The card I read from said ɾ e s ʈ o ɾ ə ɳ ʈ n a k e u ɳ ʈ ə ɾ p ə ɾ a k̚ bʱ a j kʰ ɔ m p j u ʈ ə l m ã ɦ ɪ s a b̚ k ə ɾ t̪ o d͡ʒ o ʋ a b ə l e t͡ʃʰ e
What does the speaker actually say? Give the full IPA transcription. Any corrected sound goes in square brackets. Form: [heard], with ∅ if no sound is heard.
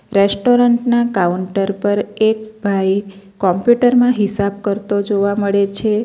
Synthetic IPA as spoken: ɾ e s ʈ o ɾ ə ɳ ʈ n a k [a] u ɳ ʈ ə ɾ p ə ɾ [e] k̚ bʱ a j [k] ɔ m p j u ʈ ə [ɾ] m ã ɦ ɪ s a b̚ k ə ɾ t̪ o d͡ʒ o ʋ a [m] ə [ɭ] e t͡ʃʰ e

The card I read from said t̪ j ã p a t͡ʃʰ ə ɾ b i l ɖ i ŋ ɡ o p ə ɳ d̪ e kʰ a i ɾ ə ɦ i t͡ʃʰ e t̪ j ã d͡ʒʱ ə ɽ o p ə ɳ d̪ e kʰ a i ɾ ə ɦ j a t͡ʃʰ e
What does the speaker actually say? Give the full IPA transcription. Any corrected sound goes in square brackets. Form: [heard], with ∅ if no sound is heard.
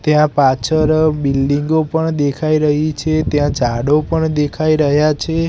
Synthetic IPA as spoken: t̪ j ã p a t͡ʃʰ ə ɾ b i l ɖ i ŋ ɡ o p ə ɳ d̪ e kʰ a i ɾ ə ɦ i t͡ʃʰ e t̪ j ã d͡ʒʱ [a] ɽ o p ə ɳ d̪ e kʰ a i ɾ ə ɦ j a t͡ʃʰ e

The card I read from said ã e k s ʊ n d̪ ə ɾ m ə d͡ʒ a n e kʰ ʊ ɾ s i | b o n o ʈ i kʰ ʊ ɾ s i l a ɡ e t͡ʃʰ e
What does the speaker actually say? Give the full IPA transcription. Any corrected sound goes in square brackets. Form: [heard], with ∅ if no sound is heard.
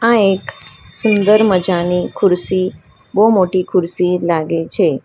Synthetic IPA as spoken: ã e k s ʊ n d̪ ə ɾ m ə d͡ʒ a n [i] kʰ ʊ ɾ s i | b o [m] o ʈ i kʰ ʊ ɾ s i l a ɡ e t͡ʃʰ e

